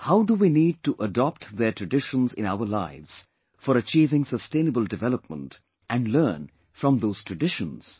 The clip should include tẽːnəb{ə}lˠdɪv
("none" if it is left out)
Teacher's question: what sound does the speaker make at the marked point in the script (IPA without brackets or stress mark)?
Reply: ə